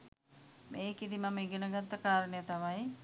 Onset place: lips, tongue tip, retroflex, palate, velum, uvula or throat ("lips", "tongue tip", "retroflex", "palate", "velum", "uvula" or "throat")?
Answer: lips